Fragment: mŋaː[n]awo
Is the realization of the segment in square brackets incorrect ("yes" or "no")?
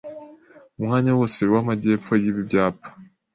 yes